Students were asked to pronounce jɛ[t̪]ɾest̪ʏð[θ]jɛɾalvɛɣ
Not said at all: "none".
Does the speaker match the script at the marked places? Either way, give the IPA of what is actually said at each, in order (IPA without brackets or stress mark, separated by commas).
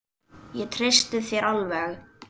t̪ʰ, θ